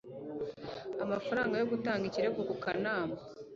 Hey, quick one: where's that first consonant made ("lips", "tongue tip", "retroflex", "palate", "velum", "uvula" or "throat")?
lips